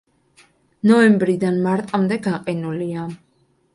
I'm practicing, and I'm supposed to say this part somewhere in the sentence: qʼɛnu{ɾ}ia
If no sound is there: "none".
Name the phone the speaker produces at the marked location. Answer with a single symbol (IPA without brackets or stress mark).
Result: l